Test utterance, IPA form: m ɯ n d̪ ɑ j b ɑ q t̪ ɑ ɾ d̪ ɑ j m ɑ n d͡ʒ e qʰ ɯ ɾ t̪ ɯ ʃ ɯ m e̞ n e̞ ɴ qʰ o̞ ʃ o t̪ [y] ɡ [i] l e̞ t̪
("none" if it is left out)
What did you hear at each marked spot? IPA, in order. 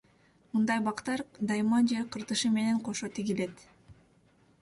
i, i

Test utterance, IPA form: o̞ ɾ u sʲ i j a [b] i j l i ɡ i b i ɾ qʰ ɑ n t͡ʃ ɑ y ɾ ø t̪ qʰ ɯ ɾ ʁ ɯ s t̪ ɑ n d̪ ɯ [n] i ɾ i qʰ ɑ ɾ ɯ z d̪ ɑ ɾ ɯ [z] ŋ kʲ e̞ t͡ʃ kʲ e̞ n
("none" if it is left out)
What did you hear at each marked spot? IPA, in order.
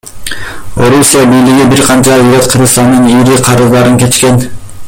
b, n, none

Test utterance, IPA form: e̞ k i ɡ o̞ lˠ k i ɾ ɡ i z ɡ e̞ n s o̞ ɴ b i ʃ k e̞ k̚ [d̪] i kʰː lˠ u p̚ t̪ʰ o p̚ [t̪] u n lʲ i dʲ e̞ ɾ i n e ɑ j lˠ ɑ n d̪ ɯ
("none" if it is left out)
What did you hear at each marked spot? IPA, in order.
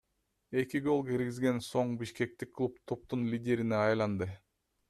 t̪, t̪

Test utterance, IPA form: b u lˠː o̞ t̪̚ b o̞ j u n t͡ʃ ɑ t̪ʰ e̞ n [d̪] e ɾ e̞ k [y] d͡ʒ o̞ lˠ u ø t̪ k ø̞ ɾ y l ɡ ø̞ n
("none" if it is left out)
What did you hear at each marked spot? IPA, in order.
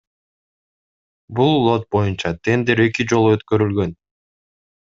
d̪, i

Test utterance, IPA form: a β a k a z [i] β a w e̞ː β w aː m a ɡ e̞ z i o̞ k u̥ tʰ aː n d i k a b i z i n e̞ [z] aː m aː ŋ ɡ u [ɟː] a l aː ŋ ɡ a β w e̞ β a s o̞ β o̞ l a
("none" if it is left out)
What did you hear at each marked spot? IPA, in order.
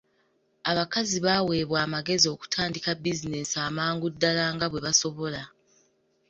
i, s, dː

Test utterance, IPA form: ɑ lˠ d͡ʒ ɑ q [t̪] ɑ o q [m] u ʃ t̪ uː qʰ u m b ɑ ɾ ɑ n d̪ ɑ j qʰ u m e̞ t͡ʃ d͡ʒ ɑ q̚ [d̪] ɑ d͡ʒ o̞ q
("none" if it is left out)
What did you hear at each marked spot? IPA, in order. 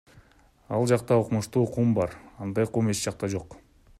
t̪, m, t̪

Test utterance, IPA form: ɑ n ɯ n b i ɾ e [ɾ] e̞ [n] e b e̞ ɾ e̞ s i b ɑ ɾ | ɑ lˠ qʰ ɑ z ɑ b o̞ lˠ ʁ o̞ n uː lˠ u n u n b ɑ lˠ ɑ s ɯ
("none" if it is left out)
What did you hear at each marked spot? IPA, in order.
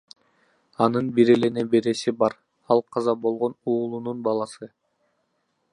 l, n

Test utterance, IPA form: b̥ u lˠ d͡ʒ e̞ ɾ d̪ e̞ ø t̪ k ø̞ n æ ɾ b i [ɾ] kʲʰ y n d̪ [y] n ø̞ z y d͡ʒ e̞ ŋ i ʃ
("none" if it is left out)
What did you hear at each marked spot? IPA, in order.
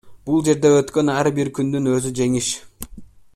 ɾ, y

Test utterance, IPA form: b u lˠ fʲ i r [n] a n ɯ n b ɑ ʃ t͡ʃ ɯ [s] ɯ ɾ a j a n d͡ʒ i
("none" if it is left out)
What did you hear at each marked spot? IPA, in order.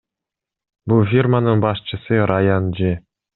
m, s

